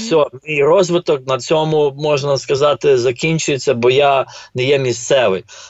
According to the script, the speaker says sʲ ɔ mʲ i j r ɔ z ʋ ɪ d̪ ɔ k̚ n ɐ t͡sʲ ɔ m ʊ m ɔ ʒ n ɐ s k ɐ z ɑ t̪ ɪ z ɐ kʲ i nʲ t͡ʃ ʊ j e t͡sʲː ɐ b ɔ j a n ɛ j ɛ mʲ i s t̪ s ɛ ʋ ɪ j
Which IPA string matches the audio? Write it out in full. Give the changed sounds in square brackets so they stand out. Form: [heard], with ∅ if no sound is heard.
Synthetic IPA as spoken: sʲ ɔ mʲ i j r ɔ z ʋ ɪ [t̪] ɔ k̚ n ɐ t͡sʲ ɔ m ʊ m ɔ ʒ n ɐ s k ɐ z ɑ t̪ ɪ z ɐ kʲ i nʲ t͡ʃ ʊ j e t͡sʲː ɐ b ɔ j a n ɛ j ɛ mʲ i s t̪ s ɛ ʋ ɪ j